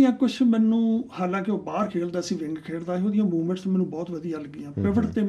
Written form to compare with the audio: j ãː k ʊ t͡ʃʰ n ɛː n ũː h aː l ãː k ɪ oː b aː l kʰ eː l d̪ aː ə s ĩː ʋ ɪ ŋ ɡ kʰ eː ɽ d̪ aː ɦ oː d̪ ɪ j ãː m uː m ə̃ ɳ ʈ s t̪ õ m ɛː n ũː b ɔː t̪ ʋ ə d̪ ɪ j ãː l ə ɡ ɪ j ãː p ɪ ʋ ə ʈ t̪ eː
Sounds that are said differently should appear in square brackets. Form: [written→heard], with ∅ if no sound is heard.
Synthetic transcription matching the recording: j ãː k ʊ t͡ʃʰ [n→m] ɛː n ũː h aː l ãː k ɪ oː b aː [l→ɾ] kʰ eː l d̪ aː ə s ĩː ʋ ɪ ŋ ɡ kʰ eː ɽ d̪ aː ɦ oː d̪ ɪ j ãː m uː m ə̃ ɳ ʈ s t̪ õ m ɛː n ũː b ɔː t̪ ʋ ə d̪ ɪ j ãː l ə ɡ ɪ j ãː p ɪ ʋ ə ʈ t̪ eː